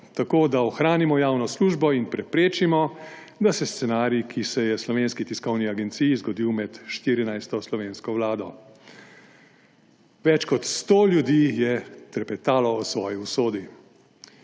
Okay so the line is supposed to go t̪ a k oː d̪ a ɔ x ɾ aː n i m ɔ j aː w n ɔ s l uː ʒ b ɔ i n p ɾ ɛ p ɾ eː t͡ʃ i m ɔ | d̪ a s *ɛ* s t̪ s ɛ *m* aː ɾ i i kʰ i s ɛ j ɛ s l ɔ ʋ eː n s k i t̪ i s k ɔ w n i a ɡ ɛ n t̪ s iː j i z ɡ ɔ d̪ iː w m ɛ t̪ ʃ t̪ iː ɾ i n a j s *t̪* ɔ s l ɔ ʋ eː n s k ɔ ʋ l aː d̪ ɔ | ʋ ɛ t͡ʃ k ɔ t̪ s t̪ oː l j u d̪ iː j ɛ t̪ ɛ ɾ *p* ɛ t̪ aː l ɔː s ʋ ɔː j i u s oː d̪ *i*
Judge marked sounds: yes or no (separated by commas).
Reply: yes, no, yes, yes, yes